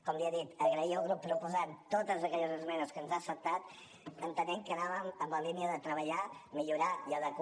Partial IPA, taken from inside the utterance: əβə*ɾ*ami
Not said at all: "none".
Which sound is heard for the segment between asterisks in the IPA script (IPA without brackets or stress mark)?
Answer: ʎ